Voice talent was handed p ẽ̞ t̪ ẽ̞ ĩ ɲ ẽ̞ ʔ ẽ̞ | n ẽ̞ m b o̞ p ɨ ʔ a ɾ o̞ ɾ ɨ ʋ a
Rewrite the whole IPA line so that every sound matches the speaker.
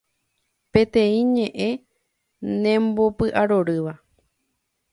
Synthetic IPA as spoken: p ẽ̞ t̪ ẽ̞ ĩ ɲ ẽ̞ ʔ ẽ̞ | n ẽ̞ m b o̞ p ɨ ʔ a ɾ o̞ ɾ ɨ ʋ a